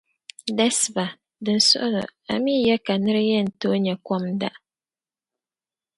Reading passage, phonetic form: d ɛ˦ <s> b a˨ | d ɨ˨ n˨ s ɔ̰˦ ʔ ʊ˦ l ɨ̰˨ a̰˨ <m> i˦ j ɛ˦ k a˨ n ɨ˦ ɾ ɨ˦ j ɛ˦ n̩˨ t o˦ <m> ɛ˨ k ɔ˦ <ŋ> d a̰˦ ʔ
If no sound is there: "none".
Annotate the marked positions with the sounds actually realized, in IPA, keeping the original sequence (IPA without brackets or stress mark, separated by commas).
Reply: s, m, ɲ, m